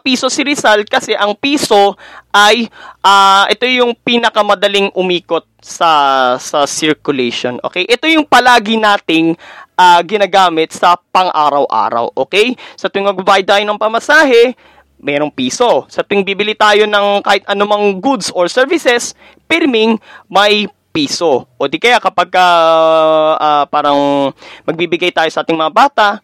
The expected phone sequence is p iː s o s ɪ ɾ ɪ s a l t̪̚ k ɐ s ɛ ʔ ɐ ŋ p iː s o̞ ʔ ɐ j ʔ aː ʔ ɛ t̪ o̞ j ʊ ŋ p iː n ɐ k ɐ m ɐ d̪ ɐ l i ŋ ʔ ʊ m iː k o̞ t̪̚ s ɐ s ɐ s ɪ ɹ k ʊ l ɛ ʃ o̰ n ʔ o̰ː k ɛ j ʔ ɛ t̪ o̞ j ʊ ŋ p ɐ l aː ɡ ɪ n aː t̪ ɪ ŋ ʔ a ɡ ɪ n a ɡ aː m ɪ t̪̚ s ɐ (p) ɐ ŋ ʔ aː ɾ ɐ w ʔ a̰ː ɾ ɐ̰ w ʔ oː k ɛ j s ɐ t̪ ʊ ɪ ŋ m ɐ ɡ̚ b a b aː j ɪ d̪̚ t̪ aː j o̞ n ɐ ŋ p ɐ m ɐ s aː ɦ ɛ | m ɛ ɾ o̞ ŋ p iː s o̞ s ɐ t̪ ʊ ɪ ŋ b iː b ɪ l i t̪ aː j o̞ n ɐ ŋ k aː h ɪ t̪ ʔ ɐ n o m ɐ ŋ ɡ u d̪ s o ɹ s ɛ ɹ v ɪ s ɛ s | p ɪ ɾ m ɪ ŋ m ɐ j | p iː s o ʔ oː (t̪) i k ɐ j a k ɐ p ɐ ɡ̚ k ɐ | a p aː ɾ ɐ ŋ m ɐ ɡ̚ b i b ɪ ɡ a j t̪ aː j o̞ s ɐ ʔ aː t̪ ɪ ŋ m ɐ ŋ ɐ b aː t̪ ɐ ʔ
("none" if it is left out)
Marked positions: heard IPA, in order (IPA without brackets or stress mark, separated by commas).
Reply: p, d̪